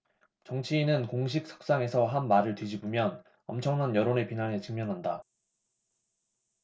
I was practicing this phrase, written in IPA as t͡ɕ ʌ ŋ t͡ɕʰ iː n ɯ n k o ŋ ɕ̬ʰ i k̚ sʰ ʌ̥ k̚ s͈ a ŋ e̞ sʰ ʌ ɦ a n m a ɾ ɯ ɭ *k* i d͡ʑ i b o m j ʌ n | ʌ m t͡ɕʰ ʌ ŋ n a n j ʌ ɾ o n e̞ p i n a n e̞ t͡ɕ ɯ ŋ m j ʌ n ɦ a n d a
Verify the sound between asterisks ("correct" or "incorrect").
incorrect